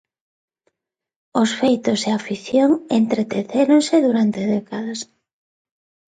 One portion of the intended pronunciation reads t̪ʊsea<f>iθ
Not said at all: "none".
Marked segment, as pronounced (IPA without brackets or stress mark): f